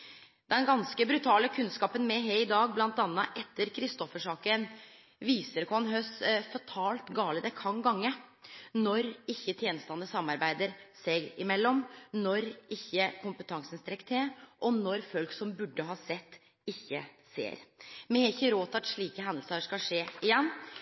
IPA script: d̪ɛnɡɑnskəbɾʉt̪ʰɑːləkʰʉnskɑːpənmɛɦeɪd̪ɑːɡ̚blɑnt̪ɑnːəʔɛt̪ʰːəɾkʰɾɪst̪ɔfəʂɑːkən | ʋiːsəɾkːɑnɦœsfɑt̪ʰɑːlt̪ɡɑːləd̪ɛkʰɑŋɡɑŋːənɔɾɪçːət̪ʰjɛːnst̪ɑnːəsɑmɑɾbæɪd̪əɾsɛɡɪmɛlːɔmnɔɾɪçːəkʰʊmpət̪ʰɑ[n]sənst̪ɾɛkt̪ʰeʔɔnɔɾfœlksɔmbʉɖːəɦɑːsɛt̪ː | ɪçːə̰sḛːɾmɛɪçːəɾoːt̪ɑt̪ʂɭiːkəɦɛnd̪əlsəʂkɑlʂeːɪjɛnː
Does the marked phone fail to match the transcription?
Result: yes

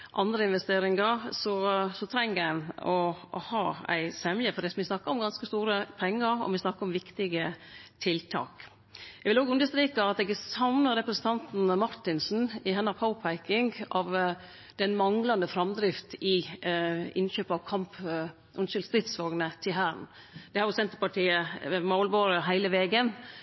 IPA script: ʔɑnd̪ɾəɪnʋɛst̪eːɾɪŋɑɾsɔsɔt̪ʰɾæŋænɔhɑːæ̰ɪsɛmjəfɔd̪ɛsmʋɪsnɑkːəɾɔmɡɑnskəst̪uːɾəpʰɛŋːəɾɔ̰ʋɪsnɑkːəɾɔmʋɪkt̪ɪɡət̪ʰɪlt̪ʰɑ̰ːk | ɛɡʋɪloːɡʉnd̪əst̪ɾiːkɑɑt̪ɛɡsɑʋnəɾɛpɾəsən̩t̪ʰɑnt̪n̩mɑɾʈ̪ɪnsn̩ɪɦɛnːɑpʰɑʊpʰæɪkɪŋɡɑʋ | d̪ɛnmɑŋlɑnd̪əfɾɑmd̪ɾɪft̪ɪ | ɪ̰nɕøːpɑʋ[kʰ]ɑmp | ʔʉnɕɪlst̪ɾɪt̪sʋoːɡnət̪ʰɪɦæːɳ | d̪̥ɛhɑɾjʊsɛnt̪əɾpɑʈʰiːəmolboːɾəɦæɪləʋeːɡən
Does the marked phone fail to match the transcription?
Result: no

